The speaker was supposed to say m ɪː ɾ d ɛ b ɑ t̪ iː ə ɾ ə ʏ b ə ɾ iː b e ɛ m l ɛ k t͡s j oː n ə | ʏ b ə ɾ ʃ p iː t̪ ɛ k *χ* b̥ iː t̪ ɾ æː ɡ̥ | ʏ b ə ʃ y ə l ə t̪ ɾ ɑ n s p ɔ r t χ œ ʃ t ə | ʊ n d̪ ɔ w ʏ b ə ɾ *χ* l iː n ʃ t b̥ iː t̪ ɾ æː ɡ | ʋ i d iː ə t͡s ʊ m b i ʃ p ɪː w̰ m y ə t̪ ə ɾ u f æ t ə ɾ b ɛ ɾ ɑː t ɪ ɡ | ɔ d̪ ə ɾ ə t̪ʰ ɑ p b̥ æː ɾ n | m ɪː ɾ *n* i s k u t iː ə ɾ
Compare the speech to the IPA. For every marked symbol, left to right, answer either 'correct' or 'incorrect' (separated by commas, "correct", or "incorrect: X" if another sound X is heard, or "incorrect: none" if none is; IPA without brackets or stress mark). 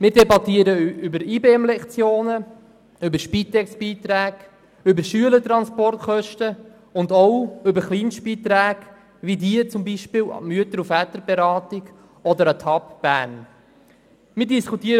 incorrect: s, correct, incorrect: d